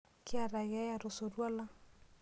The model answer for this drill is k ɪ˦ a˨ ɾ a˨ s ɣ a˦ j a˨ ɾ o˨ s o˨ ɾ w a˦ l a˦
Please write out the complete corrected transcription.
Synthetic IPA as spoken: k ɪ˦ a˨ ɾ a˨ ɣ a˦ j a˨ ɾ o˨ s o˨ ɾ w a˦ l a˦